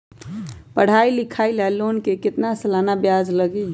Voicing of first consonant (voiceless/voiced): voiceless